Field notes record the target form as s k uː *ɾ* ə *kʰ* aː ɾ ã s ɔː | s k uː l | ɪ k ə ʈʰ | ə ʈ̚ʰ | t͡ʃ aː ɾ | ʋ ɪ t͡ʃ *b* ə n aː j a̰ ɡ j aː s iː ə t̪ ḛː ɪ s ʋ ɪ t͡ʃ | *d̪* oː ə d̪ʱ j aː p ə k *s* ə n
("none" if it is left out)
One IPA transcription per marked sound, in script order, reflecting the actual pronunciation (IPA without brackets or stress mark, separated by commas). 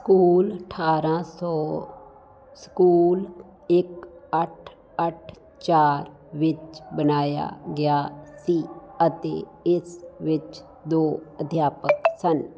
l, ʈʰ, b, d̪, s